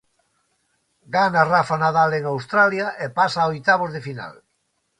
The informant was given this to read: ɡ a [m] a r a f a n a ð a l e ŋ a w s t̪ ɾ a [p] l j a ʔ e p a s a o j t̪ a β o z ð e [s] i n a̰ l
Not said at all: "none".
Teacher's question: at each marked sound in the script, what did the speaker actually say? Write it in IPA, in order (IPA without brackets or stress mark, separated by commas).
n, none, f